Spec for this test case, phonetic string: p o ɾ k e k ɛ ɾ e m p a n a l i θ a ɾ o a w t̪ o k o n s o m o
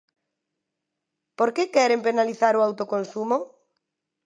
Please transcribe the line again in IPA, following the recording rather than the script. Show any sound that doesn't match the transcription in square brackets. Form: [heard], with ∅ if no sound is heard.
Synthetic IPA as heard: p o ɾ k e k ɛ ɾ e m p [e] n a l i θ a ɾ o a w t̪ o k o n s [u] m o